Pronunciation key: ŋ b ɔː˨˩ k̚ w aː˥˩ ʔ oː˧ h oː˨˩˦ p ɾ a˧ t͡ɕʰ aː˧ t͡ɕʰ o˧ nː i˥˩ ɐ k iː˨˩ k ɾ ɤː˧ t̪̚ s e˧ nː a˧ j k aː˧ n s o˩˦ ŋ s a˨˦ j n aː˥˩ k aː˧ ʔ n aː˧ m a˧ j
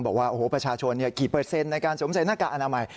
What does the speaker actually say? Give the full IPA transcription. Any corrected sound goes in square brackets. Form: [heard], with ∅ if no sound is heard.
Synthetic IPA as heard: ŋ b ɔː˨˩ k̚ w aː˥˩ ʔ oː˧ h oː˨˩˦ p ɾ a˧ t͡ɕʰ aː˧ t͡ɕʰ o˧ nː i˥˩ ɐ k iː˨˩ [p] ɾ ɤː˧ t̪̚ s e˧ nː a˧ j k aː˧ n s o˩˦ [m] s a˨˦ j n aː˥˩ k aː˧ ʔ n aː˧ m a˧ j